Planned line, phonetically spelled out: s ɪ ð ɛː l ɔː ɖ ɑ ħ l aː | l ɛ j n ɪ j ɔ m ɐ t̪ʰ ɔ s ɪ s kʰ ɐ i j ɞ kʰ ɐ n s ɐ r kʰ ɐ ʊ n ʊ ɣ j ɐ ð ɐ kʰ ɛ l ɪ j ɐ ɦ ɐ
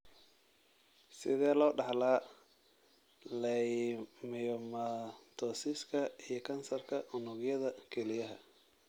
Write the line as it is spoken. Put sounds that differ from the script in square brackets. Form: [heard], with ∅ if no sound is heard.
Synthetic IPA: s ɪ ð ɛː l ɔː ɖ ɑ ħ l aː | l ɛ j [m] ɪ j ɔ m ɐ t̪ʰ ɔ s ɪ s kʰ ɐ i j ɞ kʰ ɐ n s ɐ r kʰ ɐ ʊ n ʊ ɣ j ɐ ð ɐ kʰ ɛ l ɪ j ɐ ɦ ɐ